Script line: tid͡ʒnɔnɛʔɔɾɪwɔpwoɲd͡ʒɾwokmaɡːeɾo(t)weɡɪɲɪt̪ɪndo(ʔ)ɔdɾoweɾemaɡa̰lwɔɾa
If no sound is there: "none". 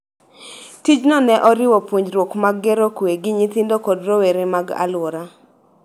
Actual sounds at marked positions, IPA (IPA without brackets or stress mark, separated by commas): k, k